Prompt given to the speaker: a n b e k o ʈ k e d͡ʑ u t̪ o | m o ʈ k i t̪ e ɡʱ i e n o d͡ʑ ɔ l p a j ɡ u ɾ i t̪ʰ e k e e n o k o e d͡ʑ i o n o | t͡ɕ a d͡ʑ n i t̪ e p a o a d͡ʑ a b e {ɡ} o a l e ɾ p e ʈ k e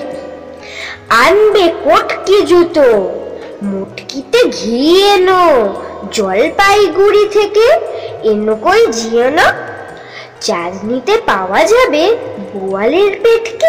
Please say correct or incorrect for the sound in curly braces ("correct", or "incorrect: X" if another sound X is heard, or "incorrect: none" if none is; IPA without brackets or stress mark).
incorrect: b